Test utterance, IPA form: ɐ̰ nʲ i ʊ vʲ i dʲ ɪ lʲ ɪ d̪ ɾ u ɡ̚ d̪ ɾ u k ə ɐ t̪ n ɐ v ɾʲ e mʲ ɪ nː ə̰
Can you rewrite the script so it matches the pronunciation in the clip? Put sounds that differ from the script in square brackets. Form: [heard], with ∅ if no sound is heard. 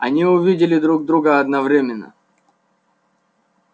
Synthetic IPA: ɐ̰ nʲ i ʊ vʲ i dʲ ɪ lʲ ɪ d̪ ɾ u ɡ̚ d̪ ɾ u [ɡ] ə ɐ [d̪] n ɐ v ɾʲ e mʲ ɪ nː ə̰